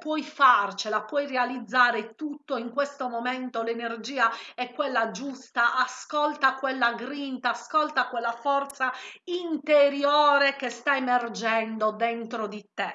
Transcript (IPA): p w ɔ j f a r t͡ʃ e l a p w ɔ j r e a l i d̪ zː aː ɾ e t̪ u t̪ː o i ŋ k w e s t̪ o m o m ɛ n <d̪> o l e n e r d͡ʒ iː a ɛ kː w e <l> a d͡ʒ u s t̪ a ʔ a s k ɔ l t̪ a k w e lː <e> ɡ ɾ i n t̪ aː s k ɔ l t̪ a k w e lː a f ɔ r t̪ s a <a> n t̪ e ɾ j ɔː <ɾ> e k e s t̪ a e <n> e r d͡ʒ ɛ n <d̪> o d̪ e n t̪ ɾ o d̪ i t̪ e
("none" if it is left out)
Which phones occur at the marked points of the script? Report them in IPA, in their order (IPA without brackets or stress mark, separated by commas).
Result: t̪, lː, a, i, ɾ, m, d̪